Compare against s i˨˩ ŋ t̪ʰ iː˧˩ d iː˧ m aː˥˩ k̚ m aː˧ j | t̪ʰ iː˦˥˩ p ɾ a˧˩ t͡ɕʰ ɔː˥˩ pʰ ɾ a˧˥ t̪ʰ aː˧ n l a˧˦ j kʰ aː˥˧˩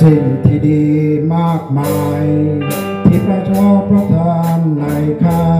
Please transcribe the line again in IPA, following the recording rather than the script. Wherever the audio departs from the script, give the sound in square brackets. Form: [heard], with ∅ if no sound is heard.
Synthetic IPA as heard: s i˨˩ ŋ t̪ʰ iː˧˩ d iː˧ m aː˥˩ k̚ m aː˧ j | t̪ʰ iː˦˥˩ p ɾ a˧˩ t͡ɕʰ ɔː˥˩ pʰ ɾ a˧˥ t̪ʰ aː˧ n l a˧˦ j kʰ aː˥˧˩